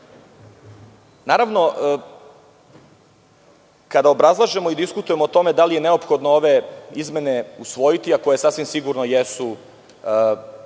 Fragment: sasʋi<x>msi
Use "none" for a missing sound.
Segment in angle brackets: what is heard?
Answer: none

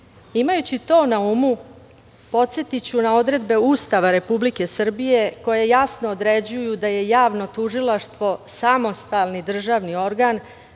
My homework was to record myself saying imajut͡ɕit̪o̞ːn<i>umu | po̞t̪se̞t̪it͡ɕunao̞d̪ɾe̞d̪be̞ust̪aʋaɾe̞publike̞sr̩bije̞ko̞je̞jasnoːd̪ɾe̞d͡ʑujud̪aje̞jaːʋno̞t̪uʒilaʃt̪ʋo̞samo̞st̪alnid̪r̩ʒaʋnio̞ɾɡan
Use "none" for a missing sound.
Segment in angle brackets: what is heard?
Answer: a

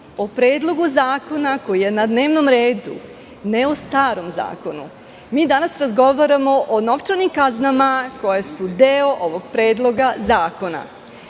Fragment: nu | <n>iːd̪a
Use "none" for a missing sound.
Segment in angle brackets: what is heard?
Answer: m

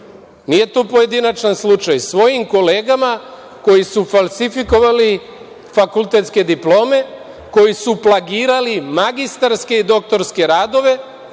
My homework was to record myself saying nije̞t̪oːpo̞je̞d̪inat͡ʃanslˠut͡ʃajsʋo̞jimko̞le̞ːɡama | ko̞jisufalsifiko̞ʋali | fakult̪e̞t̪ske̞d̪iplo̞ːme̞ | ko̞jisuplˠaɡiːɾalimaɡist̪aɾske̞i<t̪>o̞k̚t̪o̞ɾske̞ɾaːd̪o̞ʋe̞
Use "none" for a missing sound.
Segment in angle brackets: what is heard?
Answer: d̪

